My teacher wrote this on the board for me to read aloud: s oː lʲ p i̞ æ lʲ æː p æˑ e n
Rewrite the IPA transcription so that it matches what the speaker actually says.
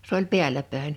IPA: s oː lʲ p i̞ æ lʲ æ p æˑ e n